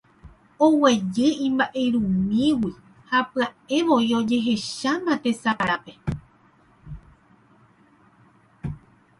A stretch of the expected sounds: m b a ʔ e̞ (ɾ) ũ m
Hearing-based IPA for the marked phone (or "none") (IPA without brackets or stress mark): ɾ